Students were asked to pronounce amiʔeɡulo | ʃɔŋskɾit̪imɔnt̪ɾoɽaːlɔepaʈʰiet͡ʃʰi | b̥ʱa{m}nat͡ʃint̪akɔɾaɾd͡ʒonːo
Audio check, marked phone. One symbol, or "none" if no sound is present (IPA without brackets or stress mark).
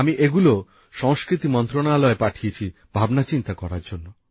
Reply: b